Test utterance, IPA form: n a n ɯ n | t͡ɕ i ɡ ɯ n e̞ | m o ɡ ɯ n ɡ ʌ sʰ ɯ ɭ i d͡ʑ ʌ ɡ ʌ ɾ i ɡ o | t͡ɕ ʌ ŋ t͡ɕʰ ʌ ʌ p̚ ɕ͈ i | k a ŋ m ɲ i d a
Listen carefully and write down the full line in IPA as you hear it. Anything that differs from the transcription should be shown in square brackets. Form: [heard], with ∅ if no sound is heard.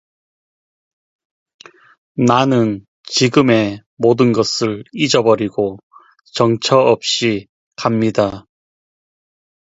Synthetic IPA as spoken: n a n ɯ n | t͡ɕ i ɡ ɯ [m] e̞ | m o [d] ɯ n ɡ ʌ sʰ ɯ ɭ i d͡ʑ ʌ [b] ʌ ɾ i ɡ o | t͡ɕ ʌ ŋ t͡ɕʰ ʌ ʌ p̚ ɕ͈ i | k a [∅] m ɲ i d a